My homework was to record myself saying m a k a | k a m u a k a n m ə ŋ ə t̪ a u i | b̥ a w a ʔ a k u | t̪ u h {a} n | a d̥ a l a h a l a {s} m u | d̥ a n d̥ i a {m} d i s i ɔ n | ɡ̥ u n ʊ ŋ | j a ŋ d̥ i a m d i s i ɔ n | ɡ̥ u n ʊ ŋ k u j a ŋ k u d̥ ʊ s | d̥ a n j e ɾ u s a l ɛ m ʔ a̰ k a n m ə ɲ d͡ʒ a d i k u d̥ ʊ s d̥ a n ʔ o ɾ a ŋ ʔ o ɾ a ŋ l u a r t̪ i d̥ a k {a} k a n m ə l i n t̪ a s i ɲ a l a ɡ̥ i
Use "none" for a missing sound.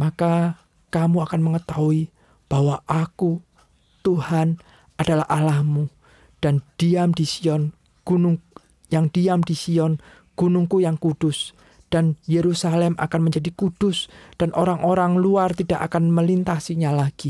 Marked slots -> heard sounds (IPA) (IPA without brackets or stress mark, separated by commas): a, h, m, a